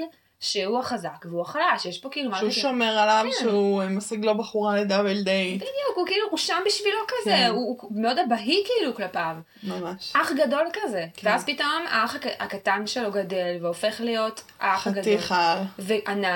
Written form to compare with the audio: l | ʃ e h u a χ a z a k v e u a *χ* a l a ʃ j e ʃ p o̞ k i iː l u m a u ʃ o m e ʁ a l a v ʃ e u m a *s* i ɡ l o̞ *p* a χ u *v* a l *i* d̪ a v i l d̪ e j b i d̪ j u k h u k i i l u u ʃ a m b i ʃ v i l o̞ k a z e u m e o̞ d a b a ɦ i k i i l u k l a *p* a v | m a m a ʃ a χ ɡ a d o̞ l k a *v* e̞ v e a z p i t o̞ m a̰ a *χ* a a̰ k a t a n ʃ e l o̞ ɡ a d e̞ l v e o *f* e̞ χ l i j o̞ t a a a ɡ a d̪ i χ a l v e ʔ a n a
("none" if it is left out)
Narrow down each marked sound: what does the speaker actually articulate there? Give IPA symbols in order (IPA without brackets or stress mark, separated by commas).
χ, s, b, ʁ, e, p, z, χ, f